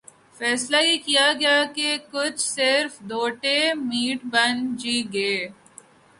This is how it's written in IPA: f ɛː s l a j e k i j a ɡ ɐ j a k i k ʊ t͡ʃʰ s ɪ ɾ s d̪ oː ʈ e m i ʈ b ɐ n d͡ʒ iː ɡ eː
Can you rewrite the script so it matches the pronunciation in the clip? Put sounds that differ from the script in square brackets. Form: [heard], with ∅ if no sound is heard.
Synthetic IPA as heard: f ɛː s l a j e k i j a ɡ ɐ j a k [e] k ʊ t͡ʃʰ s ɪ ɾ [f] d̪ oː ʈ e m [iː] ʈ b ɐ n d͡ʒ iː ɡ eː

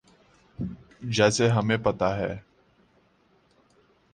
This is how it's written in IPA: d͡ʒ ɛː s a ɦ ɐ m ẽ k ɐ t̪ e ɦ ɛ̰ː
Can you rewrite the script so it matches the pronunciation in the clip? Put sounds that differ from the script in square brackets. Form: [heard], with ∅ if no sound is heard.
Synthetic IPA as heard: d͡ʒ ɛː s [e] ɦ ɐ m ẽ [p] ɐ t̪ [a] ɦ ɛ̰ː

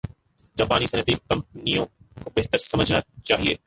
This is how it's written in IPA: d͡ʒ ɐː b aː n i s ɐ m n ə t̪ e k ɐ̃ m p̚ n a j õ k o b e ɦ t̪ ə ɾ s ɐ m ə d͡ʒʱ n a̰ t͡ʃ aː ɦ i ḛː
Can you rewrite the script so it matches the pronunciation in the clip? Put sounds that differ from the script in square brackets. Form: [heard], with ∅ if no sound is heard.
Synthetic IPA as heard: d͡ʒ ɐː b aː n i s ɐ [∅] n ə t̪ [i] k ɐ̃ m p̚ n [i] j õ k o b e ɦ t̪ ə ɾ s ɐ m ə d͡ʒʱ n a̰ t͡ʃ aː ɦ i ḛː

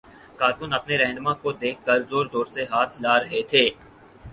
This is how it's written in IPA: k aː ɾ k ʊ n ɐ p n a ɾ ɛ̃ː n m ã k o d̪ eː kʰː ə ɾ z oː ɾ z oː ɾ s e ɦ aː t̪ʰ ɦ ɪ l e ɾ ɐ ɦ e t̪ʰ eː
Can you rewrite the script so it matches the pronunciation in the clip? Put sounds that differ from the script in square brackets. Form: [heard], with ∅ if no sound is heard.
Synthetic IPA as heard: k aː ɾ k ʊ n ɐ p n [e] ɾ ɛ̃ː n m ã k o d̪ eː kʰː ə ɾ z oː ɾ z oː ɾ s e ɦ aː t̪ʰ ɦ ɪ l [a] ɾ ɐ ɦ e t̪ʰ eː

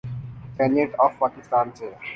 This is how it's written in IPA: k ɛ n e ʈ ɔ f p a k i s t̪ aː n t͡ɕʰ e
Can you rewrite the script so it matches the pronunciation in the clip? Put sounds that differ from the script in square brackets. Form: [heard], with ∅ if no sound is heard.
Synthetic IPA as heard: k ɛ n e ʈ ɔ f p a k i s t̪ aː n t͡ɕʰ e

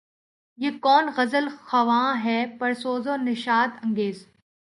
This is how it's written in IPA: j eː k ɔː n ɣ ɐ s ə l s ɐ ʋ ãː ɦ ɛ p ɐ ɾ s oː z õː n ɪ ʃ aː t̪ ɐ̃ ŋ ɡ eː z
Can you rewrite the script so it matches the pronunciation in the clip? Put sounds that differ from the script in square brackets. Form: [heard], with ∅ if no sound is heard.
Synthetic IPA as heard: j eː k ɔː n ɣ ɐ [z] ə l [x] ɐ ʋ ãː ɦ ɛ p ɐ ɾ s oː z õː n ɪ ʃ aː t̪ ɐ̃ ŋ ɡ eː z

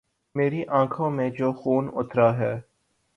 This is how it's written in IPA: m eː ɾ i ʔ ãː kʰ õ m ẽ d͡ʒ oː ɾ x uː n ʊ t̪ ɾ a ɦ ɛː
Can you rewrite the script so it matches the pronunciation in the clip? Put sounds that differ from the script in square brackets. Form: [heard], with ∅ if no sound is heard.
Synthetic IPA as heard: m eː ɾ i ʔ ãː kʰ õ m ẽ d͡ʒ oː [∅] x uː n ʊ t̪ ɾ a ɦ ɛː

